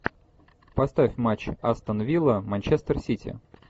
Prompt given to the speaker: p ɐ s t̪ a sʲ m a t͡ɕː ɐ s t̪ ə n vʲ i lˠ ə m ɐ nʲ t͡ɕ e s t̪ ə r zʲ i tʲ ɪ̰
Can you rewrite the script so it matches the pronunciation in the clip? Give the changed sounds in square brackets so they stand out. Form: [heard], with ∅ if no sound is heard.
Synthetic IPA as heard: p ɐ s t̪ a [fʲ] m a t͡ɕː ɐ s t̪ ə n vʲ i lˠ ə m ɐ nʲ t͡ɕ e s t̪ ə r [sʲ] i tʲ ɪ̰